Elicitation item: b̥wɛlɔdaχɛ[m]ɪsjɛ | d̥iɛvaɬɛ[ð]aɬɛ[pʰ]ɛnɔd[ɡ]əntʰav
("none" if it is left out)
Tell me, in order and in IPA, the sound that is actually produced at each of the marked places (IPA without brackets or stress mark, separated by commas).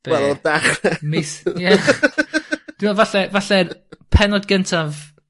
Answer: m, v, pʰ, ɡ